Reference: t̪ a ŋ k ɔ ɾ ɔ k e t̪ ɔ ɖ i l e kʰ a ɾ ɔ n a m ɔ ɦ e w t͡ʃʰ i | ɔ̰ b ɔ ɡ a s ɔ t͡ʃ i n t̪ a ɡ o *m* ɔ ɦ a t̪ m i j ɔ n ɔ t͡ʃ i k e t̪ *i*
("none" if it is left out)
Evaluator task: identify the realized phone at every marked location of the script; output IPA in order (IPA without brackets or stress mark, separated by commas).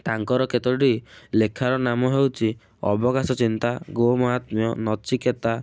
m, a